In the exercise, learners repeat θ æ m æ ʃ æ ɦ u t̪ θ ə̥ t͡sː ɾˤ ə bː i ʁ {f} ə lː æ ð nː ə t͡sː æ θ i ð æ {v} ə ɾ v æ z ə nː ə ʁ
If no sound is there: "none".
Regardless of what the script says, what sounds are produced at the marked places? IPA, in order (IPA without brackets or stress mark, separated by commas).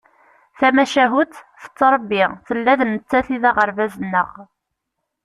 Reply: θ, ʁ